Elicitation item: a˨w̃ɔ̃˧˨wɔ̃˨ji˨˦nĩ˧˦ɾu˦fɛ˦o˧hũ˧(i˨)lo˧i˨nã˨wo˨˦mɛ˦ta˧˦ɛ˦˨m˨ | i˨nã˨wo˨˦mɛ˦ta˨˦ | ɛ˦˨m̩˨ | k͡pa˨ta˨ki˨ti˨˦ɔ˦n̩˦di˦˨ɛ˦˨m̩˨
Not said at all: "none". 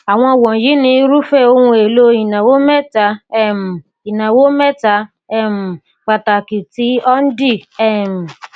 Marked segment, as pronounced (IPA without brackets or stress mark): e˨